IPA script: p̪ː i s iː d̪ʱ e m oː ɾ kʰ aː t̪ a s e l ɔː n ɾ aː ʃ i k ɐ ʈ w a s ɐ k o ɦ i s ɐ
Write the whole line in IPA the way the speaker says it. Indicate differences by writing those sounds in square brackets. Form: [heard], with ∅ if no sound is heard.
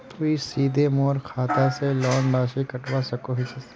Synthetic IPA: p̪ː i s iː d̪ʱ e m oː ɾ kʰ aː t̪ a s e l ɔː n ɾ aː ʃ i k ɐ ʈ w a s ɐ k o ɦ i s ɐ